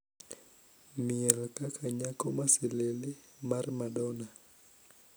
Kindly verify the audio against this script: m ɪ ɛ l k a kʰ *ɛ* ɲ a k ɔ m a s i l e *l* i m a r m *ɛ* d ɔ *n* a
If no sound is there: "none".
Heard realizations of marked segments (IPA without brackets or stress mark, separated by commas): a, l, a, n